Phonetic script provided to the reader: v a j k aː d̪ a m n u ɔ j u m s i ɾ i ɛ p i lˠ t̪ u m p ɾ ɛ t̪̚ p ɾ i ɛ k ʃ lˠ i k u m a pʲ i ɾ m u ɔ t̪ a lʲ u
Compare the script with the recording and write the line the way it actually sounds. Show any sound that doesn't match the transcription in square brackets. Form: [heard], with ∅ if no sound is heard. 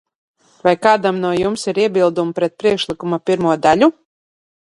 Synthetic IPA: v a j k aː d̪ a m n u ɔ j u m s i ɾ i ɛ [b] i lˠ [d̪] u m p ɾ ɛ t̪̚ p ɾ i ɛ k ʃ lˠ i k u m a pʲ i ɾ m u ɔ [d̪] a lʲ u